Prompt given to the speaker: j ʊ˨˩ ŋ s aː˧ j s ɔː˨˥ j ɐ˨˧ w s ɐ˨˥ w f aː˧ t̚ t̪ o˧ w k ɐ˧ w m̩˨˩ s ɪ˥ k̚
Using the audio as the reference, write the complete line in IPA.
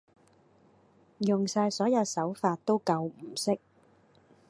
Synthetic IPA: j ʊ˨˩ ŋ s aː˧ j s ɔː˨˥ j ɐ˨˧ w s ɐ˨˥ w f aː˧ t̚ t̪ o˥ w k ɐ˧ w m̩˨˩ s ɪ˥ k̚